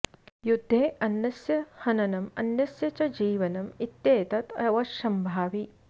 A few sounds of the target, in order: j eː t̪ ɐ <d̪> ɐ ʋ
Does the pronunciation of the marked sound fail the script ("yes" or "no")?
yes